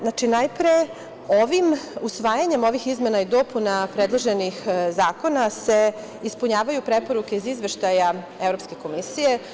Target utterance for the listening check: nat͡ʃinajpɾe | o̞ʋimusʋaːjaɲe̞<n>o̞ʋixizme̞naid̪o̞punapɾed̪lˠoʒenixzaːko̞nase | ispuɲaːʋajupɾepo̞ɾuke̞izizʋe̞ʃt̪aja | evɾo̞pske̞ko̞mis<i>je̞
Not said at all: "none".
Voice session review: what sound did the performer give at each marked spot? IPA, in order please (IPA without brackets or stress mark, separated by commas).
m, i